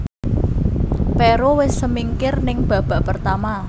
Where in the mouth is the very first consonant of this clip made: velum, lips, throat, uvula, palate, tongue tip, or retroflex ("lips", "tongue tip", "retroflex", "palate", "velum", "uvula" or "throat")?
lips